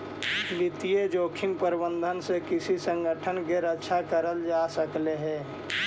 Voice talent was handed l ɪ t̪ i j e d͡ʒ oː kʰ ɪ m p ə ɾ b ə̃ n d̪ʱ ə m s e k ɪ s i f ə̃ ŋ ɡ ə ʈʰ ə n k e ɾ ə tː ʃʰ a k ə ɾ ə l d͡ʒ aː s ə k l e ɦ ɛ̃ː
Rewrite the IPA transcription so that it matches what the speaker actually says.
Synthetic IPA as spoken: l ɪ t̪ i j e d͡ʒ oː kʰ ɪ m p ə ɾ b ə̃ n d̪ʱ ə n s e k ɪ s i s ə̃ ŋ ɡ ə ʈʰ ə n k e ɾ ə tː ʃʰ a k ə ɾ ə l d͡ʒ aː s ə k l e ɦ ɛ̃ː